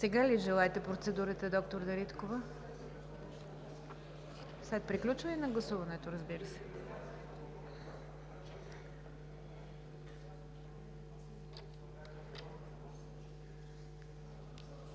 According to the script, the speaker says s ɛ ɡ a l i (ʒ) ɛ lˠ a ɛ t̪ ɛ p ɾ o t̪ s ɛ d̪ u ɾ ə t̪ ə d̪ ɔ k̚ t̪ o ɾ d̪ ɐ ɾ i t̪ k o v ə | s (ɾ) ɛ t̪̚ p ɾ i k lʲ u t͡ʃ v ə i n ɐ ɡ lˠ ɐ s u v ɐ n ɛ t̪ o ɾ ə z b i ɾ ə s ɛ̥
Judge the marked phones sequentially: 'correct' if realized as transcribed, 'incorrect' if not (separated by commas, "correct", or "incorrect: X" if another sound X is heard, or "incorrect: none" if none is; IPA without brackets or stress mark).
correct, incorrect: l